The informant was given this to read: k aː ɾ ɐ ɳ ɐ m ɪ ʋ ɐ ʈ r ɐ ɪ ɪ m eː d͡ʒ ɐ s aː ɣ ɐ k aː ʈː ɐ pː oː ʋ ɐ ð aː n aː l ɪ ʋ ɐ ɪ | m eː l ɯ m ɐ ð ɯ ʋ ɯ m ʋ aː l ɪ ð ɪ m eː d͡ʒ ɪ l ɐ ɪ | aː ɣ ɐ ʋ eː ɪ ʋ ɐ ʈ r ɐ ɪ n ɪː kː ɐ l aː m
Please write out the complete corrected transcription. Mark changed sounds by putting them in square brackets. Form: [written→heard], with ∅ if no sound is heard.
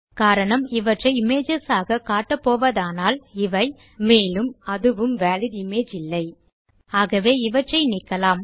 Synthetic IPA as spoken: k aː ɾ ɐ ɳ ɐ m ɪ ʋ ɐ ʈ r ɐ ɪ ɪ m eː d͡ʒ ɐ s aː ɣ ɐ k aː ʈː ɐ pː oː ʋ ɐ ð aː n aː l ɪ ʋ ɐ ɪ | m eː l ɯ m ɐ ð ɯ ʋ ɯ m ʋ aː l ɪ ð ɪ m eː d͡ʒ ɪ [l→lː] ɐ ɪ | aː ɣ ɐ ʋ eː ɪ ʋ ɐ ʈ r ɐ ɪ n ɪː kː ɐ l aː m